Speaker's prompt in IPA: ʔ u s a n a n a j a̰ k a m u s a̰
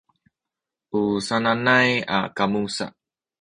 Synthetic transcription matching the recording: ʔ u s a n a n a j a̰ k a m u s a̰